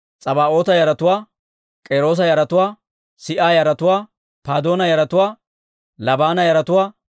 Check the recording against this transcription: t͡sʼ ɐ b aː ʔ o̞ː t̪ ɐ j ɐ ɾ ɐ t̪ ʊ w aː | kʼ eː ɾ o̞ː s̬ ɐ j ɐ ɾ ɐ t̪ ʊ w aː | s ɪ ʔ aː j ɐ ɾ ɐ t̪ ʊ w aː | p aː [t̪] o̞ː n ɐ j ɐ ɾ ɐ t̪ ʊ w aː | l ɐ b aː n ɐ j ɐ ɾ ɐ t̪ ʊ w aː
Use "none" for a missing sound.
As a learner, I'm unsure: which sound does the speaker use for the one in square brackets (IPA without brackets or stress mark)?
d̪